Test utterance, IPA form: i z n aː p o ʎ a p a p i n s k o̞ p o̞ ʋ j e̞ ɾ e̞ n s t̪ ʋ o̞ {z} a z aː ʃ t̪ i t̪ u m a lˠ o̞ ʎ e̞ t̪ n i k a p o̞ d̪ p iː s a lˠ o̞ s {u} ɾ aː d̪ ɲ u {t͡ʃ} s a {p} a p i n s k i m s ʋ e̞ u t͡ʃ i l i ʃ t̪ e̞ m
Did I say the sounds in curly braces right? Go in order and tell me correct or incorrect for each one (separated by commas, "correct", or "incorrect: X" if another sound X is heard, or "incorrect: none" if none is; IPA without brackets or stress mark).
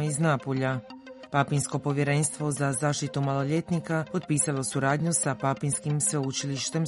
correct, correct, incorrect: none, correct